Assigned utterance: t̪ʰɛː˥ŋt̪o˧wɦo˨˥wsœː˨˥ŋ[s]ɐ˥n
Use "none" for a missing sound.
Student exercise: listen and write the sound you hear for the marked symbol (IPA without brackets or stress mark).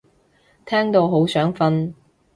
f